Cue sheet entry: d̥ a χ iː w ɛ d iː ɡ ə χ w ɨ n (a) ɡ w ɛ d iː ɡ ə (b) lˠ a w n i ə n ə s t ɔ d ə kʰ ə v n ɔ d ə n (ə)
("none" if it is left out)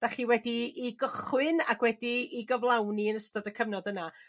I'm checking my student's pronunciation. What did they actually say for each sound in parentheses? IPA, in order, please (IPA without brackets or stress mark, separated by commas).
a, v, a